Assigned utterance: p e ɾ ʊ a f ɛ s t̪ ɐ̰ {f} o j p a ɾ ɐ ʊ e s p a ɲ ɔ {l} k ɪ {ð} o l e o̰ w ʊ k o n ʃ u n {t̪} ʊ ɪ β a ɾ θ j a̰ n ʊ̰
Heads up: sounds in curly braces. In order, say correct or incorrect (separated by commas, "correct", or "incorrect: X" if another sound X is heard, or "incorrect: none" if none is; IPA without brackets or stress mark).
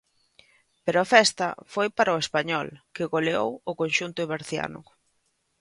correct, correct, incorrect: ɣ, correct